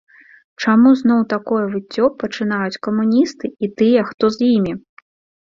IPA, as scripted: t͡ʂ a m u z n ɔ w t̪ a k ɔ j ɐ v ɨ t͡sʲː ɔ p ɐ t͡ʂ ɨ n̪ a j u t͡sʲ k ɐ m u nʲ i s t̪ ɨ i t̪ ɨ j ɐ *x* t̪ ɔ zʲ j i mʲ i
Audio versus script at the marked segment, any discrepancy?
no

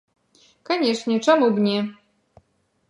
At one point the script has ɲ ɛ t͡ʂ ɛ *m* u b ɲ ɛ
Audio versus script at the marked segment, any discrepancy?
no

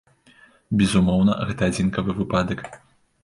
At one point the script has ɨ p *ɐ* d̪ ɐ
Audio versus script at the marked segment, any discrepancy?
yes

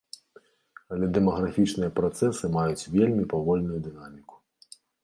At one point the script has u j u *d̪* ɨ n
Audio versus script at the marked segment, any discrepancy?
no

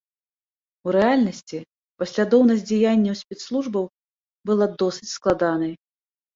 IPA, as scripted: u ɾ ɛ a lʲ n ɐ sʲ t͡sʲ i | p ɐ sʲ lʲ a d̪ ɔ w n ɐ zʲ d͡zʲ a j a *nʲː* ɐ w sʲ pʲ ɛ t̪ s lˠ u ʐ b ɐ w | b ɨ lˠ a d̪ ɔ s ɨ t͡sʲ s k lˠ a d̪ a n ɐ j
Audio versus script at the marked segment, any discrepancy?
no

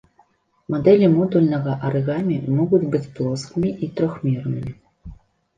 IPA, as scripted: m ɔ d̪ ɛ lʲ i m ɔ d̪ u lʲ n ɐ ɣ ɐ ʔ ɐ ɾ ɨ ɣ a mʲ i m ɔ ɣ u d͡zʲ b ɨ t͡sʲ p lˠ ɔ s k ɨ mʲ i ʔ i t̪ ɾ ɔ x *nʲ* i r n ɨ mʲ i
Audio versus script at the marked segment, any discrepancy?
yes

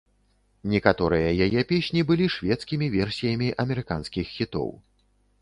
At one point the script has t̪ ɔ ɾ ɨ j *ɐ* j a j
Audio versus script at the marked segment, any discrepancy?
no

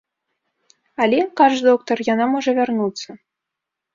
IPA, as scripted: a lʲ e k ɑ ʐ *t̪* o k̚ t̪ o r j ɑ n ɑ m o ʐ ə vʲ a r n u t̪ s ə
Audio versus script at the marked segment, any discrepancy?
yes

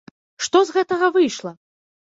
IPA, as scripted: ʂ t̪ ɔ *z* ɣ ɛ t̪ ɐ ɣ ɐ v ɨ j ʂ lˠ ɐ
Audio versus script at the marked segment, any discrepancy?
no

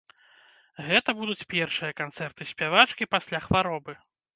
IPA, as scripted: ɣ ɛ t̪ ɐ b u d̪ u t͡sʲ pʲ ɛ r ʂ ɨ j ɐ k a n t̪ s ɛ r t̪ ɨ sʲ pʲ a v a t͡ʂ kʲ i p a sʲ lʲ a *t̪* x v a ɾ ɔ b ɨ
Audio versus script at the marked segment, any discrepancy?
yes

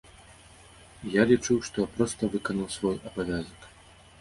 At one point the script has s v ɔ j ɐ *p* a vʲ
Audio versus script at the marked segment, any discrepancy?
yes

